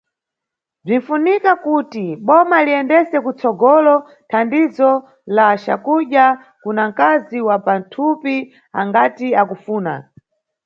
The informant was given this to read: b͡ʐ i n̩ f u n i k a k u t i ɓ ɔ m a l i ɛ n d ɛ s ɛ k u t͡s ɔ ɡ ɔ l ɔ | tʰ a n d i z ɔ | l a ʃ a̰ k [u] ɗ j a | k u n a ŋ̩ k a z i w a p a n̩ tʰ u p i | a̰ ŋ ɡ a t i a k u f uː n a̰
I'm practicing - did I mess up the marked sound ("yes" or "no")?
no